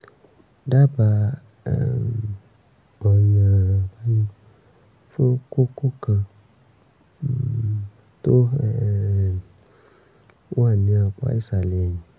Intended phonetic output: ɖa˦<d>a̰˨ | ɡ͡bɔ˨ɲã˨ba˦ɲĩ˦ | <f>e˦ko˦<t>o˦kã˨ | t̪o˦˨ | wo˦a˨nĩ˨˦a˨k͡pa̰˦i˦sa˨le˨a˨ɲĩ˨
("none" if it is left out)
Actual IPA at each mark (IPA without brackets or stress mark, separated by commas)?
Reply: b, f, k